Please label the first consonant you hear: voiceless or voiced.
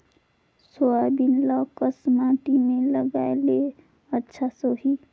voiceless